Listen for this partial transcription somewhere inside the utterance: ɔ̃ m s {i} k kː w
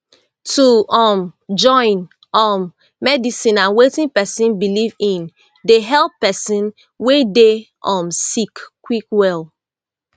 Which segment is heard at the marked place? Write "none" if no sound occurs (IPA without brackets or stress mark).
i